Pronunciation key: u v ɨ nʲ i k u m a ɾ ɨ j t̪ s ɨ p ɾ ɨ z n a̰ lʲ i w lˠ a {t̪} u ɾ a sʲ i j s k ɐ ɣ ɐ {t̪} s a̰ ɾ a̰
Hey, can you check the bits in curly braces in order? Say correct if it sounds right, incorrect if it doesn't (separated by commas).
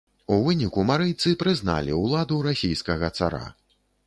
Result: incorrect, correct